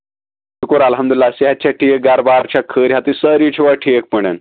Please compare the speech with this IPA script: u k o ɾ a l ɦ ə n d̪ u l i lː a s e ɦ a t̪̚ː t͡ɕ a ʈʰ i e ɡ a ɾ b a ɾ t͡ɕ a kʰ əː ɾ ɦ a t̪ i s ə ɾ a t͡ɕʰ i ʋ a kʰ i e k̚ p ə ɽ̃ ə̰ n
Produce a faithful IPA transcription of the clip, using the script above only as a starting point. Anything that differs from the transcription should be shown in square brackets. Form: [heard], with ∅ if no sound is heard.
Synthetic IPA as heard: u k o ɾ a l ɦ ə [m] d̪ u l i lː a s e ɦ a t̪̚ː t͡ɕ a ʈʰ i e ɡ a ɾ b a ɾ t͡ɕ a kʰ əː ɾ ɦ a t̪ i s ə ɾ [i] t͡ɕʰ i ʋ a [ʈʰ] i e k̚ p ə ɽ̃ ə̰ n